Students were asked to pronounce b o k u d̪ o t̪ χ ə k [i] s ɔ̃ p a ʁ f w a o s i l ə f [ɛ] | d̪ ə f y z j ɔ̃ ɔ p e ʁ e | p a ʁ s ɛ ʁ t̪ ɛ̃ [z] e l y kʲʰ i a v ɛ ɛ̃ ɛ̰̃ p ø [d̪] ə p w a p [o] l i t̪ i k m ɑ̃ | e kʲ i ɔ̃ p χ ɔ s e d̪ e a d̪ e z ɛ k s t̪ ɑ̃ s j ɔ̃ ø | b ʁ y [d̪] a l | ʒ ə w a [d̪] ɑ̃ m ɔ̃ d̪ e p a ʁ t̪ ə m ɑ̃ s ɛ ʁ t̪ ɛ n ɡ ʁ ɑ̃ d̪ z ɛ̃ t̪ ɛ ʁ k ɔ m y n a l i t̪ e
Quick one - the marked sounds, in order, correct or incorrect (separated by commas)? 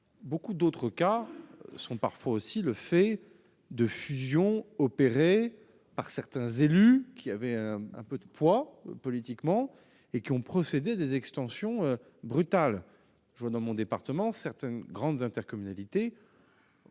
incorrect, correct, correct, correct, incorrect, incorrect, correct